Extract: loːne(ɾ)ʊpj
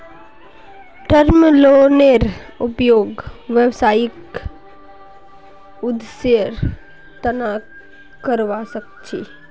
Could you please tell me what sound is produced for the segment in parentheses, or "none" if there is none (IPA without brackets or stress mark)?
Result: ɾ